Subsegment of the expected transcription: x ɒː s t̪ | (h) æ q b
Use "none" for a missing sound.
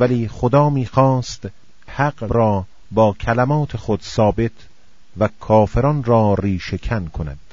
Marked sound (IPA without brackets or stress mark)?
h